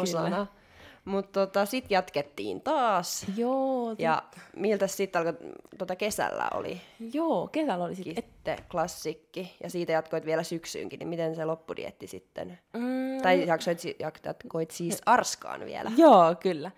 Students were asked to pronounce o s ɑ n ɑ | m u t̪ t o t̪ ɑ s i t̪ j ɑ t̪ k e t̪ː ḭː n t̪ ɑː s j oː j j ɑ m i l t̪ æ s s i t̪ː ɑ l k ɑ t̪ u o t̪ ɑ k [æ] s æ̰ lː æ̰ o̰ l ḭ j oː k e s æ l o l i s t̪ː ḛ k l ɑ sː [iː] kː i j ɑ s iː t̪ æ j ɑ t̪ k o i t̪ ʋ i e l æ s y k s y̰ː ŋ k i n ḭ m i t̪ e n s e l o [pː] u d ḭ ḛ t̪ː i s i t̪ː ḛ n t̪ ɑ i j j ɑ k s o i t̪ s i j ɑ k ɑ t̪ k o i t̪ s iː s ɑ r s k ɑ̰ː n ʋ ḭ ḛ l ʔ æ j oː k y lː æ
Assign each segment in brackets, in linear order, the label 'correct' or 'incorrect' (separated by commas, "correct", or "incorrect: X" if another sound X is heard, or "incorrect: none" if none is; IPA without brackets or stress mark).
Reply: incorrect: e, incorrect: i, correct